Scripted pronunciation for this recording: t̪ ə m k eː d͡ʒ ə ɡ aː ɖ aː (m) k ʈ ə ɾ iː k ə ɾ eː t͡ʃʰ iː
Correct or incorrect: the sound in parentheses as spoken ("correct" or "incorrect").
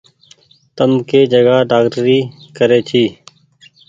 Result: incorrect